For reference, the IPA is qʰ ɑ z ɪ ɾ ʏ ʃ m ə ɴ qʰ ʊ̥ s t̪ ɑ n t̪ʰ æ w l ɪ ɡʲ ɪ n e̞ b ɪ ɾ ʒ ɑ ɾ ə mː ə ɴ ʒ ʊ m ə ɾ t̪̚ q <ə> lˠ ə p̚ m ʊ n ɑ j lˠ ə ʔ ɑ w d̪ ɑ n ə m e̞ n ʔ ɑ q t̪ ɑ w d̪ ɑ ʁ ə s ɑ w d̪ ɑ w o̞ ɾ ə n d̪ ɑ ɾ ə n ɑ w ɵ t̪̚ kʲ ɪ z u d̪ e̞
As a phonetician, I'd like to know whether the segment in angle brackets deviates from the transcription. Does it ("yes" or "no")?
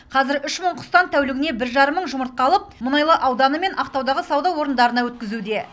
yes